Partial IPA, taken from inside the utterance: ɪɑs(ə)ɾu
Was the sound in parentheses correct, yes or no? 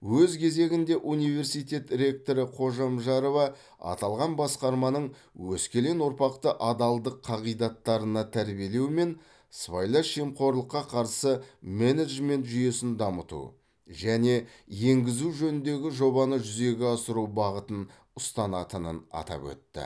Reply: yes